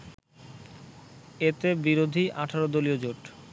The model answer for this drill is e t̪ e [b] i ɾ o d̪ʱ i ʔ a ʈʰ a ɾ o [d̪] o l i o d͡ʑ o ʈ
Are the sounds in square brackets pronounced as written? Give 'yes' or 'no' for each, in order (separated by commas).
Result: yes, yes